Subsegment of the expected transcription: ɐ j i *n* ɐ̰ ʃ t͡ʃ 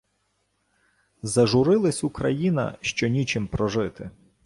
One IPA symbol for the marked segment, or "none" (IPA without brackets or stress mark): n